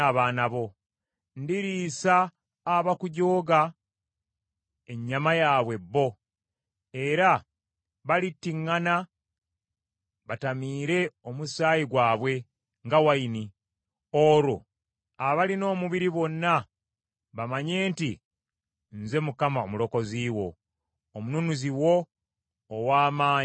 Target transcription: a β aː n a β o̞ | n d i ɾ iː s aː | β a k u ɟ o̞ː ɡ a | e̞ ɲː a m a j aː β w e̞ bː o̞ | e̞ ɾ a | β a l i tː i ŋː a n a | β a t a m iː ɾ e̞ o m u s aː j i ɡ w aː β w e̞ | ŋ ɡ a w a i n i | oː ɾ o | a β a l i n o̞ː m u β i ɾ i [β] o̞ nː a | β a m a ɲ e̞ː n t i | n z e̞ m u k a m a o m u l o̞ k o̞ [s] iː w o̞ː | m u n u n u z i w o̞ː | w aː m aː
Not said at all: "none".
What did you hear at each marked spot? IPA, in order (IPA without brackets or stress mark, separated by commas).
β, z